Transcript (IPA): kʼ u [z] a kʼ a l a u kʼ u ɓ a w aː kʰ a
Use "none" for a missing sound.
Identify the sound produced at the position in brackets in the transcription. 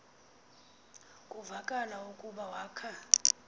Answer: v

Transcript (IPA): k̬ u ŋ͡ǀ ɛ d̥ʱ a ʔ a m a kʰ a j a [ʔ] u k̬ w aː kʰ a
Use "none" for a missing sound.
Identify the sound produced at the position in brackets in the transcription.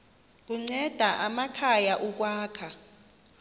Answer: ʔ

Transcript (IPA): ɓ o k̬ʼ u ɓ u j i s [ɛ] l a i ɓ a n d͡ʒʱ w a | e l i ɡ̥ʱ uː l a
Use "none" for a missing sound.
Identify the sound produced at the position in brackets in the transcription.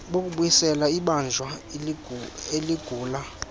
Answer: ɛ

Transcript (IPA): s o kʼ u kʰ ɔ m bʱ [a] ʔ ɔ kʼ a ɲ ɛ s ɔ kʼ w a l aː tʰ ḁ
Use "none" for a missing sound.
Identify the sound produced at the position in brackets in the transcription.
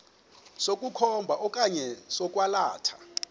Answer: a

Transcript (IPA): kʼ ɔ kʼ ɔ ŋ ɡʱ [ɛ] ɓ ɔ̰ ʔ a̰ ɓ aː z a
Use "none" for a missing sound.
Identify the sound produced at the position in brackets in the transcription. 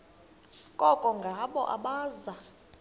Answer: a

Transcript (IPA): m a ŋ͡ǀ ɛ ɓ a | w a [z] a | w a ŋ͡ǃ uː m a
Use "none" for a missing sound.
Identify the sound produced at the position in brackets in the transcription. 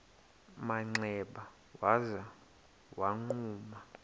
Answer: z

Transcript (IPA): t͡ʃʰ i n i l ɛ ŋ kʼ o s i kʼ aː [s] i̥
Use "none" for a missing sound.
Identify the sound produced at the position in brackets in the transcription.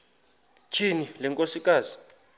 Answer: z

